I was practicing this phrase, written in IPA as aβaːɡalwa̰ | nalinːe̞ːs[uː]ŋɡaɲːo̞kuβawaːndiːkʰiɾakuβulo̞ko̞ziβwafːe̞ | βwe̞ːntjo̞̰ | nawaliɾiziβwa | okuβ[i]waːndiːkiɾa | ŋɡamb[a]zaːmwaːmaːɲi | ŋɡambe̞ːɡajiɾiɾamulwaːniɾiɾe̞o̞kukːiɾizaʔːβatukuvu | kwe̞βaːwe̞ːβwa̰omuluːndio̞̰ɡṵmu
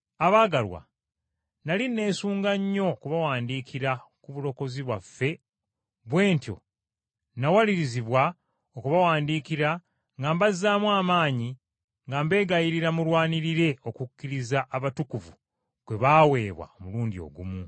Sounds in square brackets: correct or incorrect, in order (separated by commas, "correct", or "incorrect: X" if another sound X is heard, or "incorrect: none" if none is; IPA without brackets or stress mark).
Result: correct, incorrect: a, correct